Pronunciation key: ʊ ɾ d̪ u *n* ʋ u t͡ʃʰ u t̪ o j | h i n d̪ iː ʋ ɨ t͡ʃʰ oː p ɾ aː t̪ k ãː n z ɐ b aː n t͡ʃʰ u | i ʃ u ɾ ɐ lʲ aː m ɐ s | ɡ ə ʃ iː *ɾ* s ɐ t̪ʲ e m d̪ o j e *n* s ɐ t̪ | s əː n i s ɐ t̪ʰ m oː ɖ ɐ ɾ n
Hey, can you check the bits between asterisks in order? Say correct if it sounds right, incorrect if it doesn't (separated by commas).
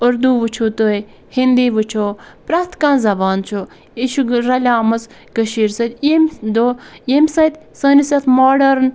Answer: incorrect, correct, incorrect